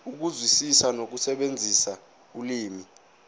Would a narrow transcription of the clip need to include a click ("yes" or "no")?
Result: no